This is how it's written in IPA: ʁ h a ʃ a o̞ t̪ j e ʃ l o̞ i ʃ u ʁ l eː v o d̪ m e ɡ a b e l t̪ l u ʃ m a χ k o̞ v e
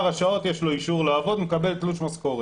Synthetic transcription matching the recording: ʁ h a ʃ a o̞ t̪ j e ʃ l o̞ i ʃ u ʁ l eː v o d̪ m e k a b e l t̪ l u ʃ m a s k o̞ ʁ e